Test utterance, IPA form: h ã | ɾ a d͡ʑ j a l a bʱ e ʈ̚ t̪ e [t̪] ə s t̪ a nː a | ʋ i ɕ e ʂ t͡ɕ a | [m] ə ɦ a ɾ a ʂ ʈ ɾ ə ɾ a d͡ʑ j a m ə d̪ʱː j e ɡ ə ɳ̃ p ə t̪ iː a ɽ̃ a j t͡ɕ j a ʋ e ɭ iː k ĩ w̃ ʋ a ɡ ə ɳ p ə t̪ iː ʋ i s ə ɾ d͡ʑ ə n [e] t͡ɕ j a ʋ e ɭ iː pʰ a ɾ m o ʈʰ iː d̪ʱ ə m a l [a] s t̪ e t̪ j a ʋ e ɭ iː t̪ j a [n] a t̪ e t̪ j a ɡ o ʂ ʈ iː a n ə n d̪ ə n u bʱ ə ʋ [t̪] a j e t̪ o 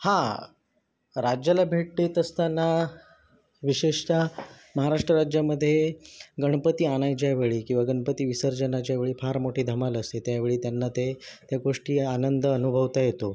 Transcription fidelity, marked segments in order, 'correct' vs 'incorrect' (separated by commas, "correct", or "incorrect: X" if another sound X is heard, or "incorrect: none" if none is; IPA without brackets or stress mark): correct, correct, incorrect: a, incorrect: ə, incorrect: nː, correct